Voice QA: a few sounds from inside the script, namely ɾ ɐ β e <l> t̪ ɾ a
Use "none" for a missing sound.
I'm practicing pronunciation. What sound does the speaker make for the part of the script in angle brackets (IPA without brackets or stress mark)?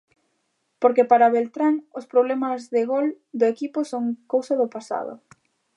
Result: l